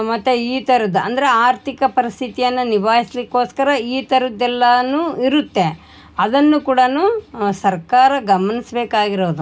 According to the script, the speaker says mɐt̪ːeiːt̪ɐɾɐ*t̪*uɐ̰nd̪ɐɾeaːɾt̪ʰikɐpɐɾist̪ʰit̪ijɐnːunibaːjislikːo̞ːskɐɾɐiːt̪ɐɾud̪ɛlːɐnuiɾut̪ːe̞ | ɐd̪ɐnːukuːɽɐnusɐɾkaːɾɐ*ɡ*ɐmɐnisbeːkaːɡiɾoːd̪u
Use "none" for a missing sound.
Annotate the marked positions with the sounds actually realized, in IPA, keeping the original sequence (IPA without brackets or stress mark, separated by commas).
d̪, ɡ